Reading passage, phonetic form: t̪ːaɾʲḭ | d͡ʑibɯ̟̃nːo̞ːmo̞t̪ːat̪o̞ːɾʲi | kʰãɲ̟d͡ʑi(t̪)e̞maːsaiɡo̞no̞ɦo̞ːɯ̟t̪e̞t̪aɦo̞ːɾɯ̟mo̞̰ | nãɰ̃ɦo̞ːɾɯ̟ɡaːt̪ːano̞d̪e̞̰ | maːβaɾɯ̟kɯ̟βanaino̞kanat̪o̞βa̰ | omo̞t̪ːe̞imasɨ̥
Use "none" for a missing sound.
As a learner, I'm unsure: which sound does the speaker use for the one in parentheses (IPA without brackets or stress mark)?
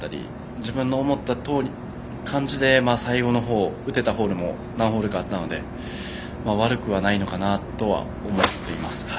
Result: d̪